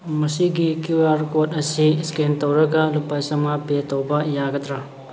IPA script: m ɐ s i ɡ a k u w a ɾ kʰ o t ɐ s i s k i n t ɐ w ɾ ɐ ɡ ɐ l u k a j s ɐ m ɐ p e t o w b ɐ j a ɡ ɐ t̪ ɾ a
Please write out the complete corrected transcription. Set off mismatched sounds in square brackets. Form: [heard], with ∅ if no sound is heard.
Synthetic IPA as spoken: m ɐ s i ɡ [i] k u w a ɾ [k] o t ɐ s i s k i n t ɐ w ɾ ɐ ɡ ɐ l u [p] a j s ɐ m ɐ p e t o w b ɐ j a ɡ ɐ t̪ ɾ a

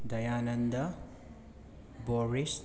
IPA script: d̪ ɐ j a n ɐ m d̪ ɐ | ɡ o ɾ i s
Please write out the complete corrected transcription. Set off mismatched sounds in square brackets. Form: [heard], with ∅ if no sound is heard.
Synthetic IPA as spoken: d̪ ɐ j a n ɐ [n] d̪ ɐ | [b] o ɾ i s

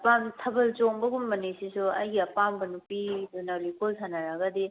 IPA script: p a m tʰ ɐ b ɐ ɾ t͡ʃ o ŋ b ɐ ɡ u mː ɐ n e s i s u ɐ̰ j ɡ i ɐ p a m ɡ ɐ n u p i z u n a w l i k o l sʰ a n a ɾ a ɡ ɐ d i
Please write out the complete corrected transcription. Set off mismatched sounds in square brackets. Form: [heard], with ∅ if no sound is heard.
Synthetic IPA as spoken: p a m tʰ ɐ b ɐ [l] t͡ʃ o ŋ b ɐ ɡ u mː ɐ n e s i s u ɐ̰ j ɡ i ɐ p a m [b] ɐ n u p i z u n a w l i k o l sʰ a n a ɾ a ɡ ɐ d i

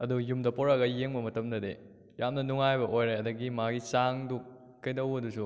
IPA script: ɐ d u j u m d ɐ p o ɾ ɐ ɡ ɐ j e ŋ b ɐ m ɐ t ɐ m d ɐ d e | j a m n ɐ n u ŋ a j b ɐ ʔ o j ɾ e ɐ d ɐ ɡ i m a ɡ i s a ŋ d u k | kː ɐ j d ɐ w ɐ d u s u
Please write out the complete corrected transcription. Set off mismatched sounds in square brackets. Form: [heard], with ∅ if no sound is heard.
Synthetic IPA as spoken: ɐ d u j u m d ɐ p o ɾ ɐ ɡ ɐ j e ŋ b ɐ m ɐ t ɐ m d ɐ d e | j a m n ɐ n u ŋ a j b ɐ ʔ o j ɾ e ɐ d ɐ ɡ i m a ɡ i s a ŋ d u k | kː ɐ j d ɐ w ɐ d u s u

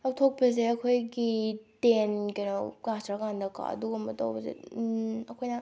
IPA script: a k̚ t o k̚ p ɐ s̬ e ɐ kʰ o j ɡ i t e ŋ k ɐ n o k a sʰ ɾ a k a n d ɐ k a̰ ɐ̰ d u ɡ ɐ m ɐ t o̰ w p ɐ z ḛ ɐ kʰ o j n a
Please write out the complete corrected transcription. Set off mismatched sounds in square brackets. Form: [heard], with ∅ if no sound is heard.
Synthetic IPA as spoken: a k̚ [tʰ] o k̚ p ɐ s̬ e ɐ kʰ o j ɡ i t e [n] k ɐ n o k a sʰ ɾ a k a n d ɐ k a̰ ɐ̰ d u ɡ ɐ m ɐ t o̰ w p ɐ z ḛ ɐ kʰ o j n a

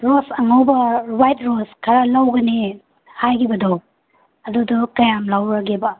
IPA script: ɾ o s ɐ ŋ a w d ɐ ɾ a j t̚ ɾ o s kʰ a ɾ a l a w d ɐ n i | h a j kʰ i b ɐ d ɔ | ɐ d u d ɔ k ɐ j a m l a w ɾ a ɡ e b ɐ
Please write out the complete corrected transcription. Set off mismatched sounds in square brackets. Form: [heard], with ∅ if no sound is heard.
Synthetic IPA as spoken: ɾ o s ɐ ŋ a w [b] ɐ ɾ a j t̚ ɾ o s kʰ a ɾ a l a w [ɡ] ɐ n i | h a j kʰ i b ɐ d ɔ | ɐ d u d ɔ k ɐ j a m l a w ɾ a ɡ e b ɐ

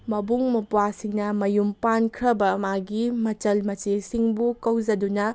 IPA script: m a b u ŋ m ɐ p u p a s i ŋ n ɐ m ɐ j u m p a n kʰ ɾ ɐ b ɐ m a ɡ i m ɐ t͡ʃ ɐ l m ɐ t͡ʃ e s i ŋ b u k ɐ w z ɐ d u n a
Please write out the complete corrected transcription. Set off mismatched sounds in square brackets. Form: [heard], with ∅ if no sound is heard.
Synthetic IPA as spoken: m [ɐ] b u ŋ m ɐ p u [∅] a s i ŋ n ɐ m ɐ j u m p a n kʰ ɾ ɐ b ɐ m a ɡ i m ɐ t͡ʃ ɐ l m ɐ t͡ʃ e s i ŋ b u k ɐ w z ɐ d u n [ɐ]

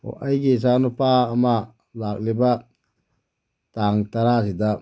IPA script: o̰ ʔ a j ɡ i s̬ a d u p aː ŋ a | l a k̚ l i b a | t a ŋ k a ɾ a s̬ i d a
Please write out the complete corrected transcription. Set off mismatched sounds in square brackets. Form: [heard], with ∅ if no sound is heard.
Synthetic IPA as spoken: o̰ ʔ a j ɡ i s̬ a [n] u p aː [m] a | l a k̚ l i b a | t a ŋ [t] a ɾ a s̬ i d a

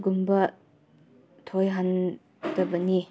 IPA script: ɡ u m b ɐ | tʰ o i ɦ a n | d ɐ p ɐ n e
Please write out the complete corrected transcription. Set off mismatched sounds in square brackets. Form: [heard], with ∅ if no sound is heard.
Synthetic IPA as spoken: ɡ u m b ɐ | tʰ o [j] ɦ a n | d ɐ [b] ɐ n [i]

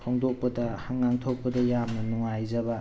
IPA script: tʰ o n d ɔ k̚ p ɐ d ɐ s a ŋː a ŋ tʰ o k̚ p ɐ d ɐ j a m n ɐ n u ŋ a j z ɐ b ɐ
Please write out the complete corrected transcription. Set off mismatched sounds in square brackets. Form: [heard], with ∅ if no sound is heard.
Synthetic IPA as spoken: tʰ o [ŋ] d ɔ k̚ p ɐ d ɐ [h] a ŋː a ŋ tʰ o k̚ p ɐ d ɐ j a m n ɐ n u ŋ a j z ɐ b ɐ

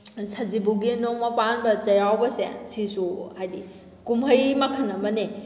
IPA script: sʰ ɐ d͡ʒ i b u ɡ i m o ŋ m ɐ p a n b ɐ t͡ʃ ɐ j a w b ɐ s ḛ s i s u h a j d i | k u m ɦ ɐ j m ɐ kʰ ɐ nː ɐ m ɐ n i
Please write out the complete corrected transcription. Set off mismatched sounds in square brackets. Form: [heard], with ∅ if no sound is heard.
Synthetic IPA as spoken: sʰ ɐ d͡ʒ i b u ɡ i [n] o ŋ m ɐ p a n b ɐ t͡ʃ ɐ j a w b ɐ s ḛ s i s u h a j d i | k u m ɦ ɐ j m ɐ kʰ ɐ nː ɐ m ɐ n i

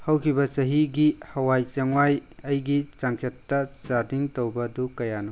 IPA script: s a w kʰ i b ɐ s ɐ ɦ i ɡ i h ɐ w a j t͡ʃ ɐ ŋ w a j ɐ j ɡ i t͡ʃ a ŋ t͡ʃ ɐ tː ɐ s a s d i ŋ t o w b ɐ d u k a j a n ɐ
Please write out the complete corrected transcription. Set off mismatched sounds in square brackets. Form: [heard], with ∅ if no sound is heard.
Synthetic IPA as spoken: [h] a w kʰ i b ɐ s ɐ ɦ i ɡ i h ɐ w a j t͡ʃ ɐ ŋ w a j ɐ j ɡ i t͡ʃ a ŋ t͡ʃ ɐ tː ɐ s a [∅] d i ŋ t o w b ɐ d u k [ɐ] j a n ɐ

